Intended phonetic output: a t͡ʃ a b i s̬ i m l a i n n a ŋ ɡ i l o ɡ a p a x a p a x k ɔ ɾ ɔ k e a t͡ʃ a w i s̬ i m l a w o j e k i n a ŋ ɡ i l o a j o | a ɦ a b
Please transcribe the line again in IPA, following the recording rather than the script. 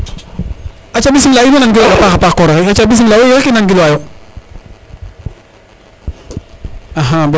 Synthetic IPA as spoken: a t͡ʃ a b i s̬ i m l a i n n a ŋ ɡ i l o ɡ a p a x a p a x k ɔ ɾ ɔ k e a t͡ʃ a b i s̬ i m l a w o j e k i n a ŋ ɡ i l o a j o | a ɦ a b